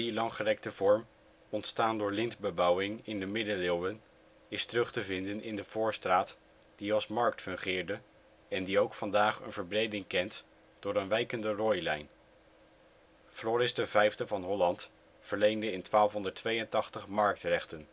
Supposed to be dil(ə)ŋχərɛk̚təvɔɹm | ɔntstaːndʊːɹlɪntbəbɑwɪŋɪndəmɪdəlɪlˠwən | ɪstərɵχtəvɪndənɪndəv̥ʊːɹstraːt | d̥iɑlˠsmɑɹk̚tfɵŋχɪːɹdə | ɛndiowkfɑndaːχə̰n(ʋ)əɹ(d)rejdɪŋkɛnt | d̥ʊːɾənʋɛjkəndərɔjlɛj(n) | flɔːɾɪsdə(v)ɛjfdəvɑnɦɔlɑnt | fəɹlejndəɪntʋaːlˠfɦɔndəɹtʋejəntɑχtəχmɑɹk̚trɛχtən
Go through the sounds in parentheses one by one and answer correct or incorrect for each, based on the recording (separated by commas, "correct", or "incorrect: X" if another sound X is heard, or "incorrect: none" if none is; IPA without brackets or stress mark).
incorrect: ɑ, incorrect: v, incorrect: b, correct, correct